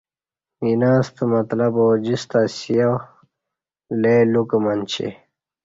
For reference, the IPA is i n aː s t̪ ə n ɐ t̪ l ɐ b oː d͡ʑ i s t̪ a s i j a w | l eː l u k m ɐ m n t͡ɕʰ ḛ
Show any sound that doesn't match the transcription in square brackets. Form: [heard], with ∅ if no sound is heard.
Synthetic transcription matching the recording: i n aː s t̪ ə [m] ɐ t̪ l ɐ b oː d͡ʑ i s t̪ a s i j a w | l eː l u k m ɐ [∅] n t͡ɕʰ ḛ